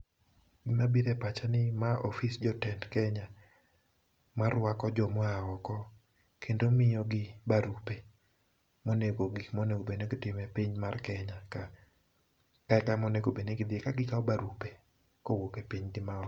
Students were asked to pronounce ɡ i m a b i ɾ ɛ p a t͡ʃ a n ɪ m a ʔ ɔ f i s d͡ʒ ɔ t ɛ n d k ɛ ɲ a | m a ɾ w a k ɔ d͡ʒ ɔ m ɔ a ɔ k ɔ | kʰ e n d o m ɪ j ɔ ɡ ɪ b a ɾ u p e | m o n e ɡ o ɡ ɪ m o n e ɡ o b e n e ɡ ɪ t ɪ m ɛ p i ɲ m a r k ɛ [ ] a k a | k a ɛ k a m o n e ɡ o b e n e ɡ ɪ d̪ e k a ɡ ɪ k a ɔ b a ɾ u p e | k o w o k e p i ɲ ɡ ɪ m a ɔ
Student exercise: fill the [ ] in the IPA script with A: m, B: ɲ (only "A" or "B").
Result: B